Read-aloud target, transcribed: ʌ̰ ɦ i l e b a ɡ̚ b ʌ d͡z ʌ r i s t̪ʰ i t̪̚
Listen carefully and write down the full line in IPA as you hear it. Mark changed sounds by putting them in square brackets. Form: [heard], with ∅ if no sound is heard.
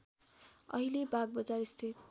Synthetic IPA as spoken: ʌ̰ ɦ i l e b a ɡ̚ b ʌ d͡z [a] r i s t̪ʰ i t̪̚